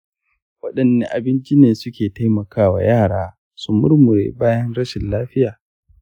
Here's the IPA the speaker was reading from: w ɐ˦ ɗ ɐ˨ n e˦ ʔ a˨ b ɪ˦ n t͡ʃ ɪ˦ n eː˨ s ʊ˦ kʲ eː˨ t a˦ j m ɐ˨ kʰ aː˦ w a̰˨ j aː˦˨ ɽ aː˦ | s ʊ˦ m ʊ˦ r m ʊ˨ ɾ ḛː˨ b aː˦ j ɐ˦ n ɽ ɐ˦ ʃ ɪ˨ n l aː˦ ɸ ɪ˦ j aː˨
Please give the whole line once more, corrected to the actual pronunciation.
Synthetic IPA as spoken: w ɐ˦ ɗ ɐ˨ nː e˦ ʔ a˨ b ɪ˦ n t͡ʃ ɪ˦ n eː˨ s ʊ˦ kʲ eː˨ t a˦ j m ɐ˨ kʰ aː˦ w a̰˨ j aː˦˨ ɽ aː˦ | s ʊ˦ m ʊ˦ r m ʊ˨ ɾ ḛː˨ b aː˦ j ɐ˦ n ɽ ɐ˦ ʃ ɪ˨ n l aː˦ ɸ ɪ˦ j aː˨